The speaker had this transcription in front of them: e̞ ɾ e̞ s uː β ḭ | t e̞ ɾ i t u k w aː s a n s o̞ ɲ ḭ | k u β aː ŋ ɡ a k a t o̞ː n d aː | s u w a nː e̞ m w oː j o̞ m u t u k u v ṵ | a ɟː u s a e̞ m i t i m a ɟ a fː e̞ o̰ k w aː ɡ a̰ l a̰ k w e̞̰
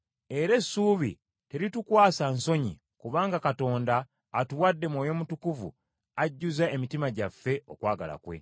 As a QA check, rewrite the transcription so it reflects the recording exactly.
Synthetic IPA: e̞ ɾ e̞ s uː β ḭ | t e̞ ɾ i t u k w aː s a n s o̞ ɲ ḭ | k u β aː ŋ ɡ a k a t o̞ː n d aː | t u w a dː e̞ m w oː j o̞ m u t u k u v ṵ | a ɟː u z a e̞ m i t i m a ɟ a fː e̞ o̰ k w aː ɡ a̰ l a̰ k w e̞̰